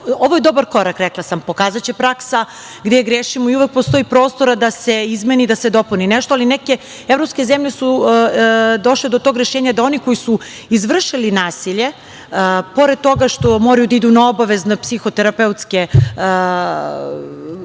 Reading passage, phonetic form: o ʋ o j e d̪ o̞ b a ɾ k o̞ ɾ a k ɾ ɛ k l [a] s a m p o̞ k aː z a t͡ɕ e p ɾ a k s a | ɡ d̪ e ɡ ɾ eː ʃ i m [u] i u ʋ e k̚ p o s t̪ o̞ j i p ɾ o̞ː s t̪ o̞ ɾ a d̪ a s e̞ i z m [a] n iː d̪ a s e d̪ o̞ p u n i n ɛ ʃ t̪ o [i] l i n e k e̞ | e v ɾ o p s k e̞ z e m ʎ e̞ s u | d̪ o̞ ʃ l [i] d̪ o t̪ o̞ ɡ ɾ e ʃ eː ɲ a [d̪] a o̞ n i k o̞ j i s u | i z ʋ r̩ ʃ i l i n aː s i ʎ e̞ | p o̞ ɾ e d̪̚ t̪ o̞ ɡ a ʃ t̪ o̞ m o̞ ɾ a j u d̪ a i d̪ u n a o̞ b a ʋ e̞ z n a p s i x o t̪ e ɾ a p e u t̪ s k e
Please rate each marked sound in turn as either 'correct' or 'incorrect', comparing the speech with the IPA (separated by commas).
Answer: correct, incorrect, incorrect, incorrect, incorrect, correct